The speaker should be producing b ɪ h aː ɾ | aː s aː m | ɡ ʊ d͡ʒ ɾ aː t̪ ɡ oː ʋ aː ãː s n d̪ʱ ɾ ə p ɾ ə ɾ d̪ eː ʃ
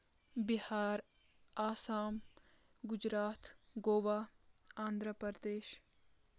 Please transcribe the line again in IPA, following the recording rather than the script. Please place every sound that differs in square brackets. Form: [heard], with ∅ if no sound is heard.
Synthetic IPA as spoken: b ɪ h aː ɾ | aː s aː m | ɡ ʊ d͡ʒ ɾ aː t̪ ɡ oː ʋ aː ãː [∅] n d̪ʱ ɾ ə p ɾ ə ɾ d̪ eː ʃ

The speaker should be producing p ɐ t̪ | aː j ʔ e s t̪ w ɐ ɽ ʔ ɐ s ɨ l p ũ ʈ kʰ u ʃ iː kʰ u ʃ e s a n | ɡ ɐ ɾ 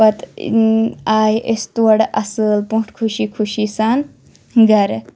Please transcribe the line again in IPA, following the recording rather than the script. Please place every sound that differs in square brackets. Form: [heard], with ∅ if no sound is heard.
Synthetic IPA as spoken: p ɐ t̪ | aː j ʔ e s t̪ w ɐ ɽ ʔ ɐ s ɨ l p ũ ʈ kʰ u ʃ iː kʰ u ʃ [i] s a n | ɡ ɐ ɾ

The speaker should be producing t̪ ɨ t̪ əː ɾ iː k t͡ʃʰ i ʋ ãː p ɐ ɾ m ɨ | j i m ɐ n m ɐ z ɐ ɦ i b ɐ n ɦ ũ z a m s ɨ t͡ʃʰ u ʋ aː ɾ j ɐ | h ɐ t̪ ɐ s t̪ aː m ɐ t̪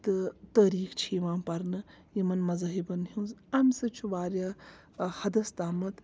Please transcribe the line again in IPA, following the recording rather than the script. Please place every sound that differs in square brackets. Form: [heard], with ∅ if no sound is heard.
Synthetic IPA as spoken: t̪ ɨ t̪ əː ɾ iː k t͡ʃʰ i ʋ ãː p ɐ ɾ [n] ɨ | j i m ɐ n m ɐ z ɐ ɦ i b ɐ n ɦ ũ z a m s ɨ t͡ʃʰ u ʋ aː ɾ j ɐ | h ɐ [d̪] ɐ s t̪ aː m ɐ t̪

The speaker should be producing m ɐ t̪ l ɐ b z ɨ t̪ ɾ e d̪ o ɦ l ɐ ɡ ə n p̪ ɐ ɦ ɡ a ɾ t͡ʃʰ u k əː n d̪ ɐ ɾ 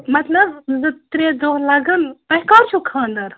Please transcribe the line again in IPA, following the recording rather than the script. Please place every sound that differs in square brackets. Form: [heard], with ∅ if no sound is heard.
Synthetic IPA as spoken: m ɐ t̪ l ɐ b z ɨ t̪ ɾ e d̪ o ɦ l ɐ ɡ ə n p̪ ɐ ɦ [k] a ɾ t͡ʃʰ u [kʰ] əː n d̪ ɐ ɾ

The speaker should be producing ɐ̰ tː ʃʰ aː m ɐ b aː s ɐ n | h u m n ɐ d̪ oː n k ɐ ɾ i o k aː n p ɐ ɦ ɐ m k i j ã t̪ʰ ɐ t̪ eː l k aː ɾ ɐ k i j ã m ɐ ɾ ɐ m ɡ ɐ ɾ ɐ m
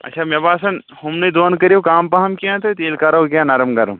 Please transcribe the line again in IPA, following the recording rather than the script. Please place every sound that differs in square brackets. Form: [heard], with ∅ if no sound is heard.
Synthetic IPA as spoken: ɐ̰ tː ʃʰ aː m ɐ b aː s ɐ n | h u m n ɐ d̪ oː n k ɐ ɾ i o k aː [m] p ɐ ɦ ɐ m k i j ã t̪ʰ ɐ t̪ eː l k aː ɾ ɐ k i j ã [n] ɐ ɾ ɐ m ɡ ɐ ɾ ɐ m

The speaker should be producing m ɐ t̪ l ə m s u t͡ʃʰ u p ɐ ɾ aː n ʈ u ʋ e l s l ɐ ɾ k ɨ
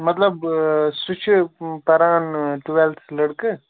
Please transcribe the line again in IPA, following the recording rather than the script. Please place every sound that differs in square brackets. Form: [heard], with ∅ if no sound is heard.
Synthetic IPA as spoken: m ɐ t̪ l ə [b] s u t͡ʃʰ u p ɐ ɾ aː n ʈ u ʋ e l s l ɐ [ɽ] k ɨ

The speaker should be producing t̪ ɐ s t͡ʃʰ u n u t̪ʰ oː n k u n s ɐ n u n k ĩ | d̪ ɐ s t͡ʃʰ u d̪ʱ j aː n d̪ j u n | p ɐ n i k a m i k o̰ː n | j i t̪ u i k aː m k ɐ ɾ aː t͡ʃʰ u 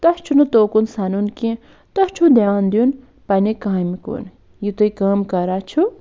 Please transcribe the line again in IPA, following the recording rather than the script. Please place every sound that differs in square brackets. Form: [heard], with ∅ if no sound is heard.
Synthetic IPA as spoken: t̪ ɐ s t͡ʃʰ u n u [t̪] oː [∅] k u n s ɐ n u n k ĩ | [t̪] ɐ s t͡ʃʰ u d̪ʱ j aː n d̪ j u n | p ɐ n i k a m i k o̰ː n | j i t̪ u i k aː m k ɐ ɾ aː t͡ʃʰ u

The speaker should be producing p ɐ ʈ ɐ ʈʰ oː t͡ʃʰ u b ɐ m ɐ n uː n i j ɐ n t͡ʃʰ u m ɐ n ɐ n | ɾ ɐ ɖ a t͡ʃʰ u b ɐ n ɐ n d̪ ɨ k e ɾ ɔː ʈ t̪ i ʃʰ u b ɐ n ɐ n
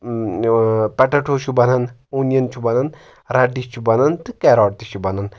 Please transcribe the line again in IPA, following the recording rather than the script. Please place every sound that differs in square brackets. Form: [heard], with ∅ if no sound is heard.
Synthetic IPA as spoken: p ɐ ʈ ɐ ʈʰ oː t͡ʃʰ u b ɐ [n] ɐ n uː n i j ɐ n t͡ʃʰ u [b] ɐ n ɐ n | ɾ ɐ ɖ [i] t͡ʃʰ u b ɐ n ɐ n [t̪] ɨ k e ɾ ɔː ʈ t̪ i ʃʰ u b ɐ n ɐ n

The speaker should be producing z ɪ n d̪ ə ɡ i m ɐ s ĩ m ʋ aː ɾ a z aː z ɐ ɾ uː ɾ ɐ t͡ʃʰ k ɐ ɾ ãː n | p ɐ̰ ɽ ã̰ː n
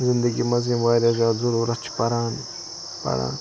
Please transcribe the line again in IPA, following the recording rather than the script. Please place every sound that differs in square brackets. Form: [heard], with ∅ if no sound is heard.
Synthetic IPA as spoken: z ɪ n d̪ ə ɡ i m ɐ [z] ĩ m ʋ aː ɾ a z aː z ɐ ɾ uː ɾ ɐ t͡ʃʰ [p] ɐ ɾ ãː n | p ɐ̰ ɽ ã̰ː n

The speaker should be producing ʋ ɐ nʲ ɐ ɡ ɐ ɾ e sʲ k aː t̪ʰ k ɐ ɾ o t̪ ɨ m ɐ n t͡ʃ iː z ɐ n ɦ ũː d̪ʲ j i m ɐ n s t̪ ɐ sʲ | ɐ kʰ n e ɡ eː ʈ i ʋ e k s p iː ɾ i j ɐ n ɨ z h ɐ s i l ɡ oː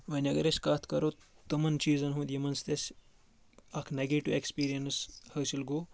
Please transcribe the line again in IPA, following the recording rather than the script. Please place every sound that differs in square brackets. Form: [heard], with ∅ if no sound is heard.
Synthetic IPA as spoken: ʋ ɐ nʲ ɐ ɡ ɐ ɾ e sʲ k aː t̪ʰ k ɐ ɾ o t̪ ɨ m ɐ n t͡ʃ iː z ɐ n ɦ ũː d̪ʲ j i m ɐ n s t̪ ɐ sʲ | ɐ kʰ n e ɡ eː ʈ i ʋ e k s p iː ɾ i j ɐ n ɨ [s] h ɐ s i l ɡ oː

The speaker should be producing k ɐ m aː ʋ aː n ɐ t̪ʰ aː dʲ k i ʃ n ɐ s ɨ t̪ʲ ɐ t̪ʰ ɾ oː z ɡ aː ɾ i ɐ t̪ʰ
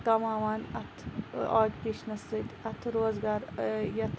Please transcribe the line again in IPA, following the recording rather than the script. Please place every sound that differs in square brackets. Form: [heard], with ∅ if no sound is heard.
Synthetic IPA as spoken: k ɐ m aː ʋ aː n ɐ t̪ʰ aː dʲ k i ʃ n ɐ s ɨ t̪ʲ ɐ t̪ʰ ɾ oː z ɡ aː ɾ [j] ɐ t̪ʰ

